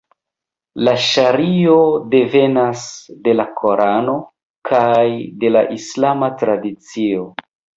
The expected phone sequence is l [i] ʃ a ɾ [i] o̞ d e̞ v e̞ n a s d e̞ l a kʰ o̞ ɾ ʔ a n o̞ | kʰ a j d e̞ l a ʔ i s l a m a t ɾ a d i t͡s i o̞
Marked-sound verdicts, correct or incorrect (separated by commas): incorrect, correct